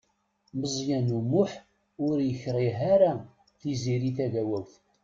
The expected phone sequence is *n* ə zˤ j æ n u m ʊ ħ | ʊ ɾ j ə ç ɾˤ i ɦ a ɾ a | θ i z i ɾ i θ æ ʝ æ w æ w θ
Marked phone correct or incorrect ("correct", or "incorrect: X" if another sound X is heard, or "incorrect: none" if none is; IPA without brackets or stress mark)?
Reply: incorrect: m